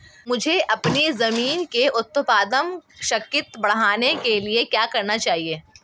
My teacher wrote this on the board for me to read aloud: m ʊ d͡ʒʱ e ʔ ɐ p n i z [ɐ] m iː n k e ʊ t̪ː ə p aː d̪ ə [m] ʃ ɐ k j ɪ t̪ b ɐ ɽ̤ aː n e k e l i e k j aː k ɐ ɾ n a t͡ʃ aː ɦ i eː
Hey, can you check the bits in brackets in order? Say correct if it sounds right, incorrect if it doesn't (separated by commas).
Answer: correct, correct